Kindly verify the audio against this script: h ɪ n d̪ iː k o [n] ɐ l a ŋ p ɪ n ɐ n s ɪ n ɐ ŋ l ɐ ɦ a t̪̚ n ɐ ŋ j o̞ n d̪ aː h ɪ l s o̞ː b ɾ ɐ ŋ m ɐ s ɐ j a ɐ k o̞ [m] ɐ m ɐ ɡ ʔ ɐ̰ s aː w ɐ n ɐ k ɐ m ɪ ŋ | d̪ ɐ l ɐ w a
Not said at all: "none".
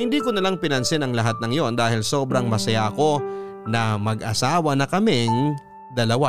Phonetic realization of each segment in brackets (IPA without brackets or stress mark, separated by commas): n, n